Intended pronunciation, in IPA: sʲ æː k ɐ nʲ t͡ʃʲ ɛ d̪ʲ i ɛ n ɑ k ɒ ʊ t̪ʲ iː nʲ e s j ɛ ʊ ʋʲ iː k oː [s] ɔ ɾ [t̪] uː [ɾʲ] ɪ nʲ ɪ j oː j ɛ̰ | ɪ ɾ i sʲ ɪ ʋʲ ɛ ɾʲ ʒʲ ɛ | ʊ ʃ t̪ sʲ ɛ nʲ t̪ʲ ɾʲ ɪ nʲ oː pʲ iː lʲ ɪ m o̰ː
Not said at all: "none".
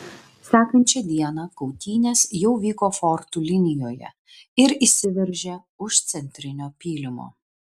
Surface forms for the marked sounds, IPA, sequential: f, t̪, lʲ

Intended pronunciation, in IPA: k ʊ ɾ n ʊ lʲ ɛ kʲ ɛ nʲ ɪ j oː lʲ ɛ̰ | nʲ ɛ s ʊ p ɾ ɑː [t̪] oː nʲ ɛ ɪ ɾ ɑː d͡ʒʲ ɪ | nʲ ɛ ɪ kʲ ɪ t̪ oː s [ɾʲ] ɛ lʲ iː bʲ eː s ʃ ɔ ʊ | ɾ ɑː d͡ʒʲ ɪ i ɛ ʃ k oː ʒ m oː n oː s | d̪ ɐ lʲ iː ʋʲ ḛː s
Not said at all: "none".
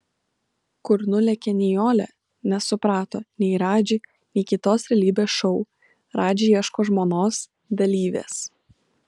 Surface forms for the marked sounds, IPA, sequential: t̪, ɾʲ

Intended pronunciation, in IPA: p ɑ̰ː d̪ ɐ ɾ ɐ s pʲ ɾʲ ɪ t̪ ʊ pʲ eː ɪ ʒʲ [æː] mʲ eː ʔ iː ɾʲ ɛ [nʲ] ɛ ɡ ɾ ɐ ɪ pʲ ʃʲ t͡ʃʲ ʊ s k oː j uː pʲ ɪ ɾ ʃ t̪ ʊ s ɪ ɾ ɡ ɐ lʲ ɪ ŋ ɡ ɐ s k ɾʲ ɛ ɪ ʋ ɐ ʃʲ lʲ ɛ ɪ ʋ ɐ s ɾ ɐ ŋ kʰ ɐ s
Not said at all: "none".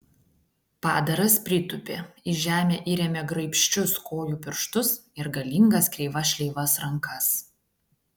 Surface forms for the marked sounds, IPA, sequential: æː, mʲ

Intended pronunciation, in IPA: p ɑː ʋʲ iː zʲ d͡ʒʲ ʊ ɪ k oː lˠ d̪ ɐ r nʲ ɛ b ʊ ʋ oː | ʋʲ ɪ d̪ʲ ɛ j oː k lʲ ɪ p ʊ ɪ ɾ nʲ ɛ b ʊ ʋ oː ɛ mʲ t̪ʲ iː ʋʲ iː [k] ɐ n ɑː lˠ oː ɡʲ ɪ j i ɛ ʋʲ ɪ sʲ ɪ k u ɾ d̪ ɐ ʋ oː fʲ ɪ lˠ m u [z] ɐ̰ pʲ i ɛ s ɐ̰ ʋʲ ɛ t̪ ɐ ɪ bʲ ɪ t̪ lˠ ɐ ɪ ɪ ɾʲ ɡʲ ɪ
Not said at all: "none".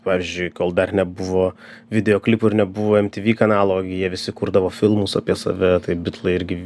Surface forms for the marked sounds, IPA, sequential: k, s

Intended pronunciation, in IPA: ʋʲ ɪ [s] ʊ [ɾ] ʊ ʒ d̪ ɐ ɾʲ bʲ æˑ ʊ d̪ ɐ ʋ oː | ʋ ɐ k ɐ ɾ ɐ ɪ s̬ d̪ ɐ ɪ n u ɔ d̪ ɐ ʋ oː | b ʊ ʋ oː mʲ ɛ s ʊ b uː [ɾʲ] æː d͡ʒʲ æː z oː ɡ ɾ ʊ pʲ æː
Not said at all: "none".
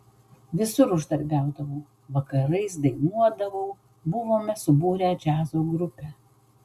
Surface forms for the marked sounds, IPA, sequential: s, ɾ, ɾʲ

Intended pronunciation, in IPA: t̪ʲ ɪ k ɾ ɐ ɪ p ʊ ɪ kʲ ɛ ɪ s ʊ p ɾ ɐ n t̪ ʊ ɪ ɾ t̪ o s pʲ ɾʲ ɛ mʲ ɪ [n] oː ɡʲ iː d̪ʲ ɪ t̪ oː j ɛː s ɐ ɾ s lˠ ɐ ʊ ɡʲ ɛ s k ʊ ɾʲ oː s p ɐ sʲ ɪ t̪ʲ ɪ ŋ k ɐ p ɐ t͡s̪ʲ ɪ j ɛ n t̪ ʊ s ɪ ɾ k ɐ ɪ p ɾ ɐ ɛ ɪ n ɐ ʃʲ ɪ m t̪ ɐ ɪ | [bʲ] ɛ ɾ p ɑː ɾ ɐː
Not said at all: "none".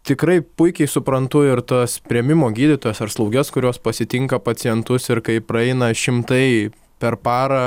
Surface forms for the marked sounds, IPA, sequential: m, pʲ

